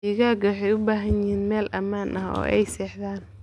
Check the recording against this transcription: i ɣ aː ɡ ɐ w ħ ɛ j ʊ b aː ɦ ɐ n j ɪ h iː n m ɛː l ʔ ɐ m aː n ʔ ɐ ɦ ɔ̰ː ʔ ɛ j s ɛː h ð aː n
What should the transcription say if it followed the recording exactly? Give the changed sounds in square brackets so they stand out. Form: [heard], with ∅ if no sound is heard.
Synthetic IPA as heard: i ɣ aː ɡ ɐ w ħ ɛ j ʊ b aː ɦ ɐ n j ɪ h iː n m ɛː l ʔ ɐ m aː n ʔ ɐ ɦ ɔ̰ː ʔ ɛ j s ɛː [ħ] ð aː n